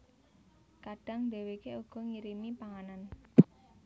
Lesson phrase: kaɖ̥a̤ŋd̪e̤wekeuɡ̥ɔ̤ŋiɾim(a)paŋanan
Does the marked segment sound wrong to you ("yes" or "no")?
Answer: yes